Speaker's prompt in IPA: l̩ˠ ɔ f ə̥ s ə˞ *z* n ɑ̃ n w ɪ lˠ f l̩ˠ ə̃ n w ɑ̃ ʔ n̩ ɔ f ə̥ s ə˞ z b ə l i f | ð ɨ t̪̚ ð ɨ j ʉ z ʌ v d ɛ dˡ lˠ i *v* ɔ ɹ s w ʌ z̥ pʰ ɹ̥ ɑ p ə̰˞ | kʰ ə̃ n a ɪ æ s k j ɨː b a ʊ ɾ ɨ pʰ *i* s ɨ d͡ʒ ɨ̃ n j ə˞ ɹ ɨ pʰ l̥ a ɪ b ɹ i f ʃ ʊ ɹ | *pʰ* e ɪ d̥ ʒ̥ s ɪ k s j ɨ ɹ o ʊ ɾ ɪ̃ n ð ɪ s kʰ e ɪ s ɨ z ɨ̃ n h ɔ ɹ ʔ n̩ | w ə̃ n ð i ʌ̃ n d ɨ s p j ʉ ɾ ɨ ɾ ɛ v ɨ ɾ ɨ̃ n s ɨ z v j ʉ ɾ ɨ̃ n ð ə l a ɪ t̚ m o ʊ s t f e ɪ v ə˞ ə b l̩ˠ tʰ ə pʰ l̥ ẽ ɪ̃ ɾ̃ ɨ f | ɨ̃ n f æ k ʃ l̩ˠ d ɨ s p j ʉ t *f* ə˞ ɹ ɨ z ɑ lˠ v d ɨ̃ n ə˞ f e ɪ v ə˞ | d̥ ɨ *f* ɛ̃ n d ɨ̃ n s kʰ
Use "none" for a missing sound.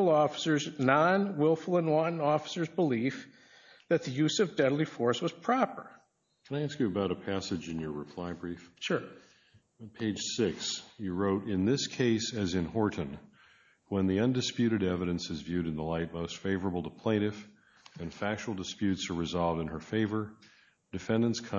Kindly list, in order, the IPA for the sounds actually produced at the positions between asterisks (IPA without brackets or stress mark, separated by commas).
z, f, æ, pʰ, s, f